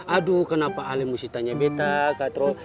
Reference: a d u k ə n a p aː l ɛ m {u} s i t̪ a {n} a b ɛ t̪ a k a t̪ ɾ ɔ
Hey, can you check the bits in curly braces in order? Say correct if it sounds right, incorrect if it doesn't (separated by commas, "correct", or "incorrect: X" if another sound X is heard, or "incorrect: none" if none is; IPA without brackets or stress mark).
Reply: correct, incorrect: ɲ